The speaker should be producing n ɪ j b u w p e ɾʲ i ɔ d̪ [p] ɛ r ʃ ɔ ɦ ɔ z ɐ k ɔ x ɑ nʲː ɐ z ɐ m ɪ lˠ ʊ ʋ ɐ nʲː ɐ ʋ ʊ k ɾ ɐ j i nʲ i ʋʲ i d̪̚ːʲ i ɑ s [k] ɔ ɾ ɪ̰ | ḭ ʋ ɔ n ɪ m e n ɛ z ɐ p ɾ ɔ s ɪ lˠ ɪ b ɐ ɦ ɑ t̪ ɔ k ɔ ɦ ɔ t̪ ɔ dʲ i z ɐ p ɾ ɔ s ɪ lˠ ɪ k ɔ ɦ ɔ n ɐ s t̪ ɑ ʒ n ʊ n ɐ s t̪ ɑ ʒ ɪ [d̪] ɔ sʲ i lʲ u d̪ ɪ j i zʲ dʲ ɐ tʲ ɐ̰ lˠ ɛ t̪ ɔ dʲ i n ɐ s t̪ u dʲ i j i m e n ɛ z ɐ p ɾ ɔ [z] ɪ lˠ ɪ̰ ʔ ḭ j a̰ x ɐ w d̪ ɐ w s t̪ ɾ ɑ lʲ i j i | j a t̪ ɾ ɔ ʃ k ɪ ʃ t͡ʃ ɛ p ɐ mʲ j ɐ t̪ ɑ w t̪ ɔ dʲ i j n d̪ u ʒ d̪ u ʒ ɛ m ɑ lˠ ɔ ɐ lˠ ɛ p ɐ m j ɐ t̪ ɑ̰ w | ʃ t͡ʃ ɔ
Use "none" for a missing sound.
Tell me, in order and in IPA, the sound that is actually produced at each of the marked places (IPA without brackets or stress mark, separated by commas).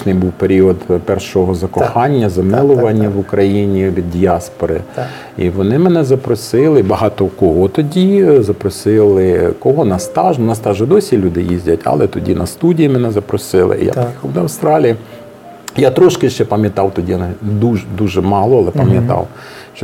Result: p, p, d̪, s